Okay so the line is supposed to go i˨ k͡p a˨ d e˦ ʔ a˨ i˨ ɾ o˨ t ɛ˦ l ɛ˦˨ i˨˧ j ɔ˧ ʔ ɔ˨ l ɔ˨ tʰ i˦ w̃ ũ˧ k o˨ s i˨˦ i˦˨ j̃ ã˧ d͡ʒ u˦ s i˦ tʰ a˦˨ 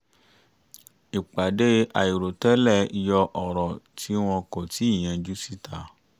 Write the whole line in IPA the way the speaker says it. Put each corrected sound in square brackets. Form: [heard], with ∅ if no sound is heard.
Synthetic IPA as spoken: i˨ k͡p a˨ d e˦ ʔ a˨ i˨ ɾ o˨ t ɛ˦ l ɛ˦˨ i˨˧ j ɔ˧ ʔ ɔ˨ [ɾ] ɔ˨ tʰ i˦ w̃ [ɔ̃˧] k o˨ [t] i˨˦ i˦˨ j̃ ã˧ d͡ʒ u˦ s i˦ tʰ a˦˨